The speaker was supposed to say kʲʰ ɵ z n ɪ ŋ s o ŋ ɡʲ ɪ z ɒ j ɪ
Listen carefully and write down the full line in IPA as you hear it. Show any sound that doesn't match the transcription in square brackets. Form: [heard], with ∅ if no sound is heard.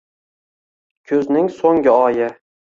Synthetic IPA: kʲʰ ɵ z n ɪ ŋ s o ŋ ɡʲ ɪ [∅] ɒ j ɪ

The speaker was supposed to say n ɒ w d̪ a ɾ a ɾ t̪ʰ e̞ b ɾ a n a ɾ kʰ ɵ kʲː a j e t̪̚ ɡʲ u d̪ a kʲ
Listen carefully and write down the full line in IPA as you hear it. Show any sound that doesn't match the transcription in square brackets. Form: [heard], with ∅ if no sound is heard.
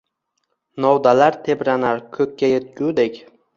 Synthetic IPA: n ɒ w d̪ a [l] a ɾ t̪ʰ e̞ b ɾ a n a ɾ kʰ ɵ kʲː a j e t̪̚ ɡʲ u d̪ [e] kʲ

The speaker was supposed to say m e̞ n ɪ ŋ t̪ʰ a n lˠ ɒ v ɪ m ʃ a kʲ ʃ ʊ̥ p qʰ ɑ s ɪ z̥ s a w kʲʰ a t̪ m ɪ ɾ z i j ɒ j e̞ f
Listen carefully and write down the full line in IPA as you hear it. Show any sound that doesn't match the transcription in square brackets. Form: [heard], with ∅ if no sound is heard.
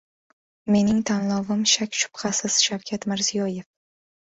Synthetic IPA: m e̞ n ɪ ŋ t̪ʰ a n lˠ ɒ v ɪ m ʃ a kʲ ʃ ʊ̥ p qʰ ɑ s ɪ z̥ [ʃ] a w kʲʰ a t̪ m ɪ ɾ z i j ɒ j e̞ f

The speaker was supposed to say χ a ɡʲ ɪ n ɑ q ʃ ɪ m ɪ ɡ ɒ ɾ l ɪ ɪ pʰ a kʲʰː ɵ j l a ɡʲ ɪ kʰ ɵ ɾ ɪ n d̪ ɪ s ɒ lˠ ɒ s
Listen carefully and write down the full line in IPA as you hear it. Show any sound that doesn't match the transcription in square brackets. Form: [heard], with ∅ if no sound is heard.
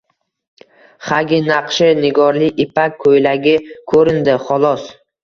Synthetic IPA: χ a ɡʲ ɪ n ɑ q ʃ ɪ [n] ɪ ɡ ɒ ɾ l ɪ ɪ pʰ a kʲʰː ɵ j l a ɡʲ ɪ kʰ ɵ ɾ ɪ n d̪ ɪ [χ] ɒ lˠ ɒ s

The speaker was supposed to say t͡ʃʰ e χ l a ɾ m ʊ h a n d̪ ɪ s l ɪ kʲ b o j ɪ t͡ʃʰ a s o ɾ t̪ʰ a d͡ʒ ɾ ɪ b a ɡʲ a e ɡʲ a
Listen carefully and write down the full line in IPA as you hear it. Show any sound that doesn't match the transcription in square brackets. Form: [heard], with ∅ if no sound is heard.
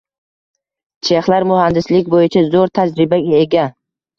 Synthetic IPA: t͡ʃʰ e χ l a ɾ m ʊ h a n d̪ ɪ s l ɪ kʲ b o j ɪ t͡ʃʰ a [z] o ɾ t̪ʰ a d͡ʒ ɾ ɪ b a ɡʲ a e ɡʲ a

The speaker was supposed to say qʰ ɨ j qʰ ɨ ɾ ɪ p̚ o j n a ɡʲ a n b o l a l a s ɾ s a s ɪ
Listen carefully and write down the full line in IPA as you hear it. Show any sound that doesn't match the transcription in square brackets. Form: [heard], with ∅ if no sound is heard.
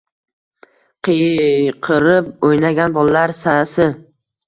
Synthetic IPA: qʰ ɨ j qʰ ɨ ɾ ɪ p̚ o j n a ɡʲ a n b [ɒ] l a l a [∅] ɾ s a s ɪ

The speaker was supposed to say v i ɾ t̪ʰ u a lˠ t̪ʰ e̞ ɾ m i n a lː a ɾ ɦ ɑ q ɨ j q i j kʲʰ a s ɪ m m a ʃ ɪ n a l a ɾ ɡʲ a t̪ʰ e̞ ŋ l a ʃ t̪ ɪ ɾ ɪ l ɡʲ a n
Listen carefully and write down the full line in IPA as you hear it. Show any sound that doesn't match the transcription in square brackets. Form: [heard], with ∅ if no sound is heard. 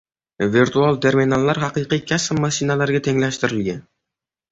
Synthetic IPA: v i ɾ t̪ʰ u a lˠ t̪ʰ e̞ ɾ m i n a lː a ɾ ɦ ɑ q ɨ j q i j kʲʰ a s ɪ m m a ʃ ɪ n a l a ɾ ɡʲ a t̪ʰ e̞ ŋ l a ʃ t̪ ɪ ɾ ɪ l ɡʲ a n

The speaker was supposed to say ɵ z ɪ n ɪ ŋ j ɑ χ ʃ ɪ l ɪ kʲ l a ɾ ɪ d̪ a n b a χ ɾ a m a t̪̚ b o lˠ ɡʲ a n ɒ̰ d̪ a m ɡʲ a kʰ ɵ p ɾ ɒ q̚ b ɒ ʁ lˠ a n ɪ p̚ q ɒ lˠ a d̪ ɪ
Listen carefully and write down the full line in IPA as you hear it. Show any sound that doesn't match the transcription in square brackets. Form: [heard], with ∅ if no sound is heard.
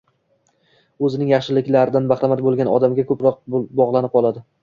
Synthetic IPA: ɵ z ɪ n ɪ ŋ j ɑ χ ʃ ɪ l ɪ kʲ l a ɾ ɪ d̪ a n b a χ ɾ a m a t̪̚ b o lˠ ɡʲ a n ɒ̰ d̪ a m ɡʲ a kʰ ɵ p ɾ ɒ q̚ b ɒ ʁ lˠ a n ɪ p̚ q ɒ lˠ a d̪ ɪ

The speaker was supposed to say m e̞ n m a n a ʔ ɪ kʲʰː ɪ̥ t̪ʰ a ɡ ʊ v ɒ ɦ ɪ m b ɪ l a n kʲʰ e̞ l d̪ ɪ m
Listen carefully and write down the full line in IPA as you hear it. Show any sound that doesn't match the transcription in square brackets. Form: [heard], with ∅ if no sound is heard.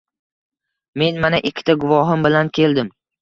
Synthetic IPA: m e̞ n m a n a ʔ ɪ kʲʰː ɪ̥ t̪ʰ a ɡ ʊ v ɒ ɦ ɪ m b ɪ l a n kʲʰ e̞ l d̪ ɪ m

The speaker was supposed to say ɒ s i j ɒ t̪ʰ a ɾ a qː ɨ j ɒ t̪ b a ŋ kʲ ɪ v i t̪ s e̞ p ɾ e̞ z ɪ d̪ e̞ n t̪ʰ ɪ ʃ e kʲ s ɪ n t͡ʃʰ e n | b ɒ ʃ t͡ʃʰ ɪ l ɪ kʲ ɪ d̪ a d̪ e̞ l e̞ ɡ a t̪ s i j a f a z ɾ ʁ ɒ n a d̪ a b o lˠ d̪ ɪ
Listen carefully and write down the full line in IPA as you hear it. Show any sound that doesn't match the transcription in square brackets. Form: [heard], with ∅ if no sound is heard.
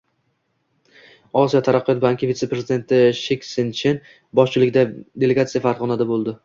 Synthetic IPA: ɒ s i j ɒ t̪ʰ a ɾ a qː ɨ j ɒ t̪ b a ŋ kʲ ɪ v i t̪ s e̞ p ɾ e̞ z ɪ d̪ e̞ n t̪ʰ ɪ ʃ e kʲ s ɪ n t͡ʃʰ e n | b ɒ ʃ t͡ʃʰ ɪ l ɪ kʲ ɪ d̪ a d̪ e̞ l e̞ ɡ a t̪ s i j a f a [∅] ɾ ʁ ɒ n a d̪ a b o lˠ d̪ ɪ

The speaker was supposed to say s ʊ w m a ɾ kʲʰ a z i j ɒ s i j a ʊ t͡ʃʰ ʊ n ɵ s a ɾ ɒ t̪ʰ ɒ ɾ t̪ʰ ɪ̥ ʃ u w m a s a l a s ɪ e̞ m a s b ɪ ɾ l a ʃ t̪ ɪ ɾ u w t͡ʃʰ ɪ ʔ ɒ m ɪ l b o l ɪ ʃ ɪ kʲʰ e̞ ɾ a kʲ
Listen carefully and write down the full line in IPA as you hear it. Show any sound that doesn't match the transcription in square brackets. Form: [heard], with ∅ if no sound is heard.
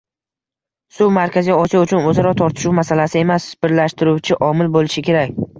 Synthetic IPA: s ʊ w m a ɾ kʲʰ a z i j ɒ s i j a ʊ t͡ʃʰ ʊ n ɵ [z] a ɾ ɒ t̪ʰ ɒ ɾ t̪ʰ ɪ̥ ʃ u w m a s a l a s ɪ e̞ m a s b ɪ ɾ l a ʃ t̪ ɪ ɾ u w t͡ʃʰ ɪ ʔ ɒ m ɪ l b o l ɪ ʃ ɪ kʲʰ e̞ ɾ a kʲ

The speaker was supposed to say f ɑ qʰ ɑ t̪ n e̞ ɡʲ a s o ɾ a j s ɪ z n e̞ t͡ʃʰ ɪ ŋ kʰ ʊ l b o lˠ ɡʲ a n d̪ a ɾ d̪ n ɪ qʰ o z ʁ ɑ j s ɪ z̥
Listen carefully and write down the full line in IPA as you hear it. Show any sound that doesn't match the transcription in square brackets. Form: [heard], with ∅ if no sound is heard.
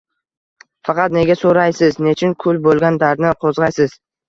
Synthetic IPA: f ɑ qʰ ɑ t̪ n e̞ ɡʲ a s o ɾ a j s ɪ z n e̞ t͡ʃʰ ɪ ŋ kʰ ʊ l b o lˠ ɡʲ a n d̪ a ɾ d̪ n ɪ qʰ o z ʁ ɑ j s ɪ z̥

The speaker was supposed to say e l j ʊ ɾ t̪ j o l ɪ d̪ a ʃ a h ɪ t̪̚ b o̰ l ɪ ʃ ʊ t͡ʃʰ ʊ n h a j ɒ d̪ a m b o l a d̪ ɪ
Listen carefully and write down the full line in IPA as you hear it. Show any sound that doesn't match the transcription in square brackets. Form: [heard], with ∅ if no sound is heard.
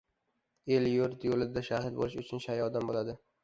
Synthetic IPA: e l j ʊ ɾ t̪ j o l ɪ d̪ a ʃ a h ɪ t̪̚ b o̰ l ɪ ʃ ʊ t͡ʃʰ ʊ n [ʃ] a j ɒ d̪ a m b o l a d̪ ɪ

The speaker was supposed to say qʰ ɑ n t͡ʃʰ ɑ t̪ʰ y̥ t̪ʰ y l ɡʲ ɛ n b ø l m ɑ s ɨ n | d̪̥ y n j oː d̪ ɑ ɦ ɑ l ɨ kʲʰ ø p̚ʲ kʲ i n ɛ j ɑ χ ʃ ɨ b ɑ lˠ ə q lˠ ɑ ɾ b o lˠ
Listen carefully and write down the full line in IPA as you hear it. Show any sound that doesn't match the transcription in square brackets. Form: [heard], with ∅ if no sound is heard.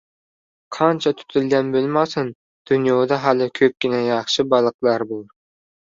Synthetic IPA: qʰ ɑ n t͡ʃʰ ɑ t̪ʰ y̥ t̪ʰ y l ɡʲ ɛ n b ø l m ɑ s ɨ n | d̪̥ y n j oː d̪ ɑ ɦ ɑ l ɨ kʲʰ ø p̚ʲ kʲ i n ɛ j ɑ χ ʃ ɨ b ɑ lˠ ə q lˠ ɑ ɾ b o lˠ

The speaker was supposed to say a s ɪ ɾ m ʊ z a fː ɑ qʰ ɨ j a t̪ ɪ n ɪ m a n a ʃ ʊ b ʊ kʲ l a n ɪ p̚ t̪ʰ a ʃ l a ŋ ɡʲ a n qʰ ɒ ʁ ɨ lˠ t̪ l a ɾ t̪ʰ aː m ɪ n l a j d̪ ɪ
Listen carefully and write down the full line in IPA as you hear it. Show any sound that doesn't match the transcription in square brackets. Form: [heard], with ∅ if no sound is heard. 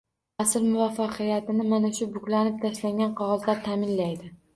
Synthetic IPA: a s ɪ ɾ m ʊ [v] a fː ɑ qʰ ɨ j a t̪ ɪ n ɪ m a n a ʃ ʊ b ʊ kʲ l a n ɪ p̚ t̪ʰ a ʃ l a ŋ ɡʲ a n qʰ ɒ ʁ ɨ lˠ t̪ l a ɾ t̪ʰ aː m ɪ n l a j d̪ ɪ

